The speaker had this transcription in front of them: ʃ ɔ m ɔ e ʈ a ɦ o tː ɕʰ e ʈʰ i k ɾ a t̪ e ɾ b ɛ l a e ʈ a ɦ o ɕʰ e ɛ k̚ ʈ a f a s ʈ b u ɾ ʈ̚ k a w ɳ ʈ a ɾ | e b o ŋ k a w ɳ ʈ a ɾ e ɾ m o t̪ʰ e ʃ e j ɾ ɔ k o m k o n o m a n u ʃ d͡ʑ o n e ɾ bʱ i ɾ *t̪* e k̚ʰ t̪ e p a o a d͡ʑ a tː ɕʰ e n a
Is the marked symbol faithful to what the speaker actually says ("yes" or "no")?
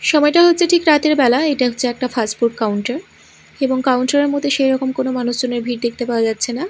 no